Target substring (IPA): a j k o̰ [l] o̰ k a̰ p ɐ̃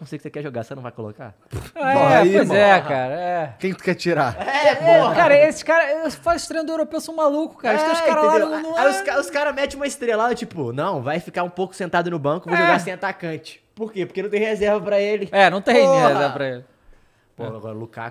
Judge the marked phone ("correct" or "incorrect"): correct